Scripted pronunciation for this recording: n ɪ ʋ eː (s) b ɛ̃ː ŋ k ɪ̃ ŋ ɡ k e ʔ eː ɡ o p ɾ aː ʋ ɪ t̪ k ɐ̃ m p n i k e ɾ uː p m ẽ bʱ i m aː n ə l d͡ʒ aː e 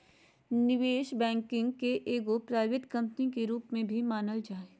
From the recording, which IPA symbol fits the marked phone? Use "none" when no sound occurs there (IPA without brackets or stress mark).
ʃ